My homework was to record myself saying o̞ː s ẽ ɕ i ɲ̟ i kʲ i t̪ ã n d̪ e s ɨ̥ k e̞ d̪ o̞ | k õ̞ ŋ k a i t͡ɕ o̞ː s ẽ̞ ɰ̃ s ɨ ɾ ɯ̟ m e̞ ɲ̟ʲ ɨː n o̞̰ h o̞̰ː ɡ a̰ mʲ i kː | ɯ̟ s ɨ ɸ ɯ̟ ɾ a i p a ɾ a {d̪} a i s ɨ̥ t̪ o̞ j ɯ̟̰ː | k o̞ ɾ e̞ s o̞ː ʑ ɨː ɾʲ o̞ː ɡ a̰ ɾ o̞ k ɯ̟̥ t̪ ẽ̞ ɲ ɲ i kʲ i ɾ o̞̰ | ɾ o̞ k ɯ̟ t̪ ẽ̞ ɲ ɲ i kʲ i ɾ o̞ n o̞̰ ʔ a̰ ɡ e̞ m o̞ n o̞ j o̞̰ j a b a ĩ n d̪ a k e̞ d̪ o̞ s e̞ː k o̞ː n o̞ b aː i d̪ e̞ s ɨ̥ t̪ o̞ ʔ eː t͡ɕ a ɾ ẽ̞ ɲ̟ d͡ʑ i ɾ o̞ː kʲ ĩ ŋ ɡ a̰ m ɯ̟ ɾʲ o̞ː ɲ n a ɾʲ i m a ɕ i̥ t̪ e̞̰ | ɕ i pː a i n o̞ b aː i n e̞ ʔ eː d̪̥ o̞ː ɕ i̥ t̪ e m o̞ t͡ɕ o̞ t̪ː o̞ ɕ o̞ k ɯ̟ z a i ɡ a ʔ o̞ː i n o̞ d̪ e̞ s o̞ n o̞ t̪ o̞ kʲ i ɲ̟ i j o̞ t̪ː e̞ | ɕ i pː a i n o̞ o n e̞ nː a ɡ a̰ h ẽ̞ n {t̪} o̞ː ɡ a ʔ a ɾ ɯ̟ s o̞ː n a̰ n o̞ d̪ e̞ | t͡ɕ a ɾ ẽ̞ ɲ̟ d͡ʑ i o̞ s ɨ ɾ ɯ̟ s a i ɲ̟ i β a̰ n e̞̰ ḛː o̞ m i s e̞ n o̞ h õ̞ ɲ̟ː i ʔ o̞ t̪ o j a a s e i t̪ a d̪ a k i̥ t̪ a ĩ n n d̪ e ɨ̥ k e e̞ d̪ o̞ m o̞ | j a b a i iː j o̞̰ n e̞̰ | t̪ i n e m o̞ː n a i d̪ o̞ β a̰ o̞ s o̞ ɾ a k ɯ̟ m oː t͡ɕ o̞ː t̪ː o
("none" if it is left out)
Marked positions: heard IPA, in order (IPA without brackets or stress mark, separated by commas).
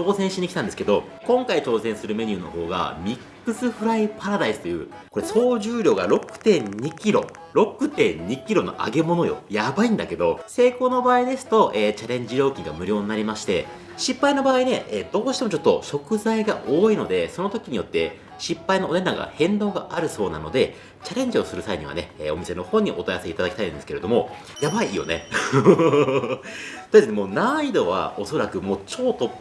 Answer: d̪, d̪